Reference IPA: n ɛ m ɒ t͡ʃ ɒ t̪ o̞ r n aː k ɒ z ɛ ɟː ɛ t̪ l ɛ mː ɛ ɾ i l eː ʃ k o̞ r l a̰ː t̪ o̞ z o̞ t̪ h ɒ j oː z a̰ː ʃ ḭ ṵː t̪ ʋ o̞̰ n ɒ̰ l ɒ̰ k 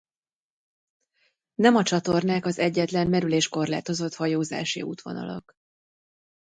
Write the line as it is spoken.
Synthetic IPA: n ɛ m ɒ t͡ʃ ɒ t̪ o̞ r n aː k ɒ z ɛ ɟː ɛ t̪ l ɛ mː ɛ ɾ y l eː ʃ k o̞ r l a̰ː t̪ o̞ z o̞ t̪ h ɒ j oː z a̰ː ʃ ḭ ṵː t̪ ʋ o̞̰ n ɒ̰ l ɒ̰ k